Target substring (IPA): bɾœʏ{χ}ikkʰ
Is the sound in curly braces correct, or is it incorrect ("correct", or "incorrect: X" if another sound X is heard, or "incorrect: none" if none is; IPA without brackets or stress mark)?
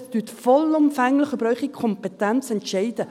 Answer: correct